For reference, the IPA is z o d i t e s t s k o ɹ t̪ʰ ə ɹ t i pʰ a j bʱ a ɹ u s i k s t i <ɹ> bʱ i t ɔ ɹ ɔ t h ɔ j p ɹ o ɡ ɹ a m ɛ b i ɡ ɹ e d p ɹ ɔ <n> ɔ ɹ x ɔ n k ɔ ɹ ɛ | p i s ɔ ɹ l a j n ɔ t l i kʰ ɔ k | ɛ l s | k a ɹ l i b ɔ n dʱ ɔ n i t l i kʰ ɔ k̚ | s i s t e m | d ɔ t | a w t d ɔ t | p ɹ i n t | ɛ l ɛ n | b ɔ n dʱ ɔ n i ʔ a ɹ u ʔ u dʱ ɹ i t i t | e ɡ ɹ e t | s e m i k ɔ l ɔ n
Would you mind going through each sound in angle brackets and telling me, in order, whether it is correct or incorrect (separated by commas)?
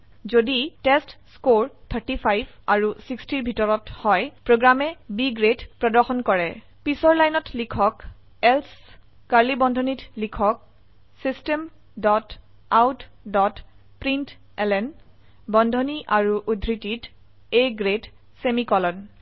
correct, incorrect